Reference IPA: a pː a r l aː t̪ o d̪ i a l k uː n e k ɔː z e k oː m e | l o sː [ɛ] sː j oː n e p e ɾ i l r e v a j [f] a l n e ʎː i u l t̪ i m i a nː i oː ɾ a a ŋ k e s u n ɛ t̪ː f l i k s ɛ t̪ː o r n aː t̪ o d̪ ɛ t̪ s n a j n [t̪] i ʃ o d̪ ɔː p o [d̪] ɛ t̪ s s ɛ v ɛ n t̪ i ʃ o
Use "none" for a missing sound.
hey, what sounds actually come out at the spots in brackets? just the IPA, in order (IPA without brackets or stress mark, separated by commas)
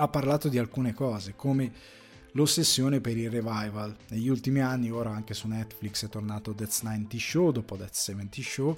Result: e, v, t̪, d̪